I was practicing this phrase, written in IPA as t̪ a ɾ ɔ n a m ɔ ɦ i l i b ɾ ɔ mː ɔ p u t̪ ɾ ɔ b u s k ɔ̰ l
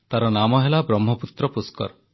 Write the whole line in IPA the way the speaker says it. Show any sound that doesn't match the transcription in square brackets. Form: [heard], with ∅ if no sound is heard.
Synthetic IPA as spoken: t̪ a ɾ ɔ n a m ɔ ɦ [e] l [a] b ɾ ɔ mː ɔ p u t̪ ɾ ɔ [p] u s k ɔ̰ [ɾ]